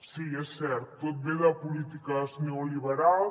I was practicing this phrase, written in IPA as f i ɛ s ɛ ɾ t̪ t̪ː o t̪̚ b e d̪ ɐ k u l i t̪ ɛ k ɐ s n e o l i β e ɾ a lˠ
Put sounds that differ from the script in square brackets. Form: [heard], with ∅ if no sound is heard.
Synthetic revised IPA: [s] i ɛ s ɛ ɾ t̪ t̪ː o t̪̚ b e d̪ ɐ [p] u l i t̪ [i] k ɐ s n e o l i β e ɾ a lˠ